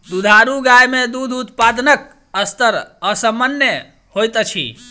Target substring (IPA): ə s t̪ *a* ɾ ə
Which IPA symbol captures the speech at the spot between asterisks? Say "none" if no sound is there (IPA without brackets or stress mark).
ə